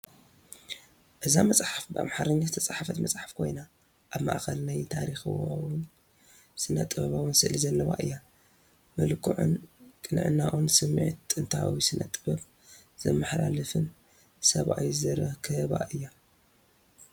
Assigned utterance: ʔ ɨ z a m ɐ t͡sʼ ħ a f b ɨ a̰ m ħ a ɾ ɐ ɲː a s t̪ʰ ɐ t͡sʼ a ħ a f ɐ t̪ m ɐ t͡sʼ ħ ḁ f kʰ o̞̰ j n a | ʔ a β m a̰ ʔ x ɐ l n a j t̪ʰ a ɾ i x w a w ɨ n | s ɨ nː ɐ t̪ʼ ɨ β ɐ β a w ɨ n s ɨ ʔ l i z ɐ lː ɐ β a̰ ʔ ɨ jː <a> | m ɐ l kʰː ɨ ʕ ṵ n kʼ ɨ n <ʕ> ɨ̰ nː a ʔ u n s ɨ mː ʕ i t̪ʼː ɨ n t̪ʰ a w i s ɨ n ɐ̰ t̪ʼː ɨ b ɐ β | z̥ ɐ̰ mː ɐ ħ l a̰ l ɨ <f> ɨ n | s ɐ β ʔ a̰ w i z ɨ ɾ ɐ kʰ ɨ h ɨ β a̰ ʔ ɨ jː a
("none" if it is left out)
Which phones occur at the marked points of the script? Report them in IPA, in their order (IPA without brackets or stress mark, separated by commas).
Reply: a, ʕ, f